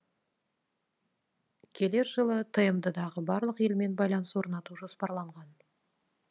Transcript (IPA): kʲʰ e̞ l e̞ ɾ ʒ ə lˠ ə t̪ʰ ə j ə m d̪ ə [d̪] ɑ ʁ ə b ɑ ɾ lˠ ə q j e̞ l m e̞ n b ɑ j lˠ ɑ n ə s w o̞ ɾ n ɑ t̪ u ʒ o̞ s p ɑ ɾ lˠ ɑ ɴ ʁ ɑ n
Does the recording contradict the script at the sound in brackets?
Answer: no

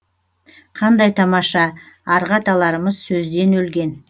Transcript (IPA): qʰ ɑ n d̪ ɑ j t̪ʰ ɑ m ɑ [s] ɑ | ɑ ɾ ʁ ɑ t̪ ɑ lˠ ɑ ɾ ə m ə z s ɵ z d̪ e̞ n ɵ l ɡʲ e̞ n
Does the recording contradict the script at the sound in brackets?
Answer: yes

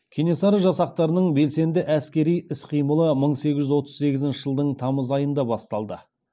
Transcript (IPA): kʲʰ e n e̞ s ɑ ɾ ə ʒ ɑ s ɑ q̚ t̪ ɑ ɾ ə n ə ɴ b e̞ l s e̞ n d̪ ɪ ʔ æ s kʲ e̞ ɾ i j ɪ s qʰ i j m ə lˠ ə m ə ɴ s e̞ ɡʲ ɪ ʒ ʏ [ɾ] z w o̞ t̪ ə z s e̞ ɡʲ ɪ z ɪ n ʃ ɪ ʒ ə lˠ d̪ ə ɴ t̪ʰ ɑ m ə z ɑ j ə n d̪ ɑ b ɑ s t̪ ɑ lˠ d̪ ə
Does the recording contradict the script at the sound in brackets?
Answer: yes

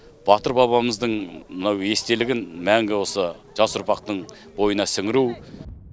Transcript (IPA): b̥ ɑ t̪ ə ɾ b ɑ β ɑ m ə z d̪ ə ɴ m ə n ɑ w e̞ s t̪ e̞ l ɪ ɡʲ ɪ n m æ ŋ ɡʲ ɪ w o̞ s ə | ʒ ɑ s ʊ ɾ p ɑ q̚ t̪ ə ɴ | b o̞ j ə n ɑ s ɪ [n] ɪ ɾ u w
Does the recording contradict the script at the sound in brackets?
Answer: yes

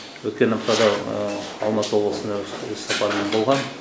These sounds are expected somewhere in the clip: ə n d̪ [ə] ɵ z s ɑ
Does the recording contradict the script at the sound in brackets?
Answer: yes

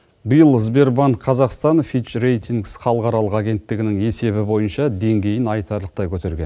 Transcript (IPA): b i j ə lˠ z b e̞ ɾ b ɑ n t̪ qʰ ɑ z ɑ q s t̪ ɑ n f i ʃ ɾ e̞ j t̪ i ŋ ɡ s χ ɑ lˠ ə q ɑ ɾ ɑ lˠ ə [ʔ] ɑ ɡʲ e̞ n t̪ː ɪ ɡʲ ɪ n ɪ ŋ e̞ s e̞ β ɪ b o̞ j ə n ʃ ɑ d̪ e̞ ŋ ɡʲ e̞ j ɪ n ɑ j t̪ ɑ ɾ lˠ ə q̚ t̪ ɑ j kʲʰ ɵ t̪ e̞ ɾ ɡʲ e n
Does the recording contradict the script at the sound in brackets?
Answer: yes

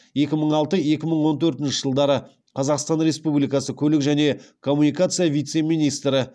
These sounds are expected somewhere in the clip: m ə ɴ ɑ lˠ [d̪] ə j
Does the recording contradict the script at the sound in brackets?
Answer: yes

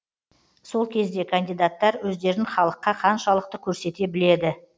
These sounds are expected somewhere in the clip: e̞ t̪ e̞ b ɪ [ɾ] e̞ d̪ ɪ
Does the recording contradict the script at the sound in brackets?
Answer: yes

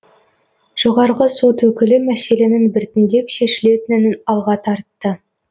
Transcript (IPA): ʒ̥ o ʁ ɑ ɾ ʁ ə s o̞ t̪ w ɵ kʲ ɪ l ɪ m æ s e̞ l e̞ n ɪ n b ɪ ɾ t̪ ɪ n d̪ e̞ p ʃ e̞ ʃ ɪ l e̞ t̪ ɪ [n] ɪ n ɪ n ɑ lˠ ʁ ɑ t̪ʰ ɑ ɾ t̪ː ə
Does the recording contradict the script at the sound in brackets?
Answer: no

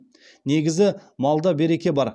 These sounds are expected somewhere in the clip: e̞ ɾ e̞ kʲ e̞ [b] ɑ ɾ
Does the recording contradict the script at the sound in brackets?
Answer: no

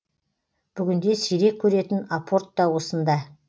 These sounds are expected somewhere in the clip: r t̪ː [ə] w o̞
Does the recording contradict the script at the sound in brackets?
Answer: yes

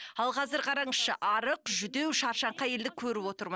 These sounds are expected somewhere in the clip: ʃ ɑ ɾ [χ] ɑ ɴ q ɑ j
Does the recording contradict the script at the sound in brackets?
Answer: yes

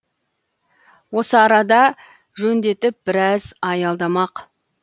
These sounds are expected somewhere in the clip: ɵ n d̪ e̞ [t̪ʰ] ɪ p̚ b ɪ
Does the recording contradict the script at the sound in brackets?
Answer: yes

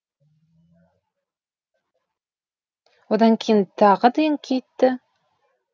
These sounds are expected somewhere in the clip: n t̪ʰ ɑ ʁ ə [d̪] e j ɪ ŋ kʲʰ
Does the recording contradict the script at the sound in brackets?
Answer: no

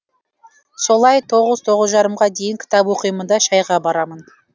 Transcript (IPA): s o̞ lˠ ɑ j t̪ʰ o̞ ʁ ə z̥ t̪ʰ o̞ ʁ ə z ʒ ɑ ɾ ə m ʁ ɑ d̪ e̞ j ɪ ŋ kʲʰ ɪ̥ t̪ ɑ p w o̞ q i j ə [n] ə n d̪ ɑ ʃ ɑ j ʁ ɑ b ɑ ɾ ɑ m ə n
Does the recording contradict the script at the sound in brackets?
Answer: yes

